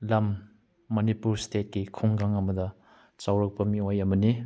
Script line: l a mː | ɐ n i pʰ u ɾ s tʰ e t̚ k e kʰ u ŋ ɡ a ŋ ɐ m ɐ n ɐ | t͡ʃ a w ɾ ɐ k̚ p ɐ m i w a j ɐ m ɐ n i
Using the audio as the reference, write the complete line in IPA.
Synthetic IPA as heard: l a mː | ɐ n i p u ɾ s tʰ e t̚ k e kʰ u ŋ ɡ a ŋ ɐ m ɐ d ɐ | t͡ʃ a w ɾ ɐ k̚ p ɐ m i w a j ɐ m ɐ n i